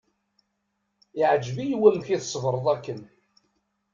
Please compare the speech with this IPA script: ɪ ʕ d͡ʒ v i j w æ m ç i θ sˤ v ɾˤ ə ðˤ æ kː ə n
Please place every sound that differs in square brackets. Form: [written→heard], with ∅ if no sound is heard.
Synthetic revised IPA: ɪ ʕ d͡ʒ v i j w æ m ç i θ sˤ v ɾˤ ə ðˤ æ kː ə n